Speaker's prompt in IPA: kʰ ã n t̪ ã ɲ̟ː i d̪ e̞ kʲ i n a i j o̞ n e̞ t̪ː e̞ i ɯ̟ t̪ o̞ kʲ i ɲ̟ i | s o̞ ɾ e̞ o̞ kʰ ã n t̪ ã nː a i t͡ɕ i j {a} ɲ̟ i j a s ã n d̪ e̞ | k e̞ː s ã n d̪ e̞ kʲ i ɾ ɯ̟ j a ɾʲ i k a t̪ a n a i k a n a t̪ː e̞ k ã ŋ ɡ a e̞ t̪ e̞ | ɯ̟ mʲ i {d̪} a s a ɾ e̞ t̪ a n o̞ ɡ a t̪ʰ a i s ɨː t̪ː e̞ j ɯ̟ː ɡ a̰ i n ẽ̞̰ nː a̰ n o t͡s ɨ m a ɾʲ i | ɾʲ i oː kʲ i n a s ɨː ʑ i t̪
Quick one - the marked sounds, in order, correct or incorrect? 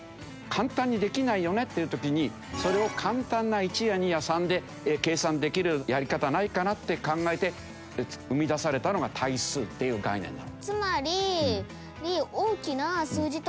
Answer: correct, correct

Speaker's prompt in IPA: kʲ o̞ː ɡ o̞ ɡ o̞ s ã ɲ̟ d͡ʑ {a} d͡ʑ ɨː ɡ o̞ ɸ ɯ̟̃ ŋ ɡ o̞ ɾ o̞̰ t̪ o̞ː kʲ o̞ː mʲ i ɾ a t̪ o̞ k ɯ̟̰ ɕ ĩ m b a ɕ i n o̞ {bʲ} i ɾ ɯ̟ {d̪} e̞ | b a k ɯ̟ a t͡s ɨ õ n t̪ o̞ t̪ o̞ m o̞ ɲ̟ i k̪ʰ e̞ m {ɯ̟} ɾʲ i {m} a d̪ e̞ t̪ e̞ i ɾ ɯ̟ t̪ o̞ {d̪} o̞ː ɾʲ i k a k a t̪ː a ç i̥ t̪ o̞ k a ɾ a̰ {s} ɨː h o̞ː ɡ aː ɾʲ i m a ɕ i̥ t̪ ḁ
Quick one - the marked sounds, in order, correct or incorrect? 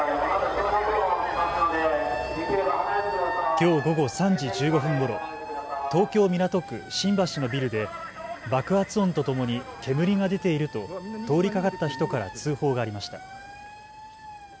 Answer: incorrect: i, correct, correct, correct, incorrect: ŋ, incorrect: t̪, incorrect: t͡s

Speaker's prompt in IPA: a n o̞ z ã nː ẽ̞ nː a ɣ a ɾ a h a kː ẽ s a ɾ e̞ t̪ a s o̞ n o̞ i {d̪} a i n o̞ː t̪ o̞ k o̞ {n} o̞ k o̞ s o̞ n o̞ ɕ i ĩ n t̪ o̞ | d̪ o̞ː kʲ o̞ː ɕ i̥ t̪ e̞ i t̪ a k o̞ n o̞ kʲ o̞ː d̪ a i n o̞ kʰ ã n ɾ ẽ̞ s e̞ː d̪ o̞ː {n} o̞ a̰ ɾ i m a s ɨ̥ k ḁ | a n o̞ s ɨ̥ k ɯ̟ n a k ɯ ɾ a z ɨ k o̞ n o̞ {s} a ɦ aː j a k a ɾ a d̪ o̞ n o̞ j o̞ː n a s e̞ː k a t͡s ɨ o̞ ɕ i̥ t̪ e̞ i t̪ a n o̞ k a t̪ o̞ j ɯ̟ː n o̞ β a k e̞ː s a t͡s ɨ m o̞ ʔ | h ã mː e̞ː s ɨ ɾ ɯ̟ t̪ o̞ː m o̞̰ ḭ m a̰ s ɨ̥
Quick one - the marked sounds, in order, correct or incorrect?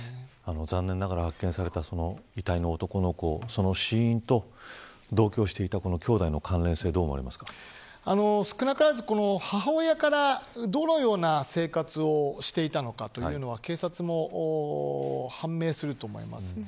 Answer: incorrect: t̪, correct, incorrect: m, incorrect: h

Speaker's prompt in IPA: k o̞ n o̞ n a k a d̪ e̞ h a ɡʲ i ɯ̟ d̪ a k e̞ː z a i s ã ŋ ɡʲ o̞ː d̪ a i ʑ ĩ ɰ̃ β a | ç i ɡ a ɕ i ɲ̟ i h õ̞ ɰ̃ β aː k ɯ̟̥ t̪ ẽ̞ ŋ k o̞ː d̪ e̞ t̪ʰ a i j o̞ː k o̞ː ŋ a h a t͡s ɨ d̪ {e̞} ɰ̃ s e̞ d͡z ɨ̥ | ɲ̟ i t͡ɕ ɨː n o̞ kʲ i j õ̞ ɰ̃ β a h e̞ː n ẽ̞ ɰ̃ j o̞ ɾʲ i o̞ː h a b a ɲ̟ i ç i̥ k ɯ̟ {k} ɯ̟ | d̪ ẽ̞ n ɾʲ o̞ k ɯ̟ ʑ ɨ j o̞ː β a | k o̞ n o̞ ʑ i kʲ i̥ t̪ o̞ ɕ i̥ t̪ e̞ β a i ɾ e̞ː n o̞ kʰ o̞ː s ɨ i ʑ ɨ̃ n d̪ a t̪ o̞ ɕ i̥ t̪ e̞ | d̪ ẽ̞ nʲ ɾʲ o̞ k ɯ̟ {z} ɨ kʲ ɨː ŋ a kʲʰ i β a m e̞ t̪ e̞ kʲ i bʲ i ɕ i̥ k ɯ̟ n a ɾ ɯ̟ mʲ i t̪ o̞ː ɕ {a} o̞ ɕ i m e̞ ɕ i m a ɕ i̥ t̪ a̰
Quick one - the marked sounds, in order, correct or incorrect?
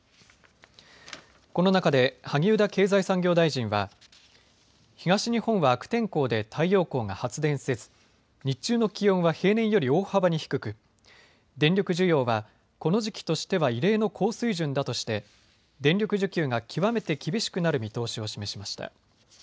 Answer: incorrect: ẽ̞, correct, incorrect: ʑ, incorrect: i

